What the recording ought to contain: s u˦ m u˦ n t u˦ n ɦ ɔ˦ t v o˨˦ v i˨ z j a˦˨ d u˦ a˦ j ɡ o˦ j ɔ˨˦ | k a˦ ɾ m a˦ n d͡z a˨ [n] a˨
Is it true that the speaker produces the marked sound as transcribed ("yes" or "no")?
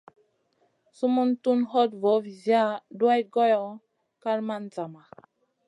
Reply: no